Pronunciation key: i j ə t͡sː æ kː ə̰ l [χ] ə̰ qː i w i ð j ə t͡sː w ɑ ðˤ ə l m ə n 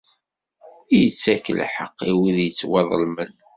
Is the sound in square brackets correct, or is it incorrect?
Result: incorrect